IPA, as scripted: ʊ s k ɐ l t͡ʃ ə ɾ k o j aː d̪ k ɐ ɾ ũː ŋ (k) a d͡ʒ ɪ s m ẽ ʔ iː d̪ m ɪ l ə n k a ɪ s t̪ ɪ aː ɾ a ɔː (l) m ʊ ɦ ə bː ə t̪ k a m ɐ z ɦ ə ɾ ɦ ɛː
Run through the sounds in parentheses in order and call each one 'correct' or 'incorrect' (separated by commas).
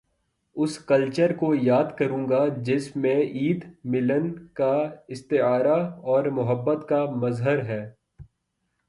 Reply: incorrect, incorrect